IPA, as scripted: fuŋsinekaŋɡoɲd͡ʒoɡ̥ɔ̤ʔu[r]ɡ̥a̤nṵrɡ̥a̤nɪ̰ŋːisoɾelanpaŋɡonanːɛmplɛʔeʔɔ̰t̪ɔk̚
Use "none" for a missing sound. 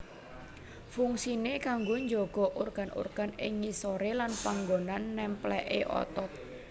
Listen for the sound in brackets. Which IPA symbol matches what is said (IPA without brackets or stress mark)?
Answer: r